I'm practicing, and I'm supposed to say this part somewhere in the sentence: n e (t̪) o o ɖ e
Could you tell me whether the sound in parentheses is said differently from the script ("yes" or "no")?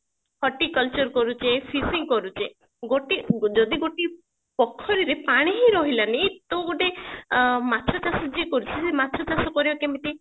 no